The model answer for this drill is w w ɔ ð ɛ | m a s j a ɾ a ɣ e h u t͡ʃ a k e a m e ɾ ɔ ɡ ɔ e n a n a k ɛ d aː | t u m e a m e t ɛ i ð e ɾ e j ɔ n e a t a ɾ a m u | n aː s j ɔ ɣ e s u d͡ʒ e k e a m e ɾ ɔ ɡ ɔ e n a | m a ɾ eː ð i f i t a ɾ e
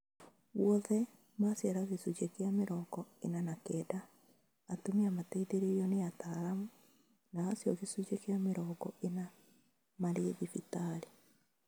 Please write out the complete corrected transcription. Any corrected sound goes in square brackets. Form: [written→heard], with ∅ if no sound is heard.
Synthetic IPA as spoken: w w ɔ ð ɛ | m a s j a ɾ a ɣ e [h→s] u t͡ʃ [a→e] k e a m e ɾ ɔ ɡ ɔ e n a n a k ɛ d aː | t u m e a m [e→a] t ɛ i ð e ɾ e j ɔ n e a t a ɾ a m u | n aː s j ɔ ɣ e s u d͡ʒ e k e a m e ɾ ɔ ɡ ɔ e n a | m a ɾ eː ð i f i t a ɾ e